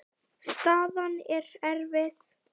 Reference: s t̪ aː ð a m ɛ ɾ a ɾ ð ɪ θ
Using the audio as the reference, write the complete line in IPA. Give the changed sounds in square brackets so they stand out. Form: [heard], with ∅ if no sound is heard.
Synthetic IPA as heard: s t̪ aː ð a [n] ɛ ɾ [ɛ] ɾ [v] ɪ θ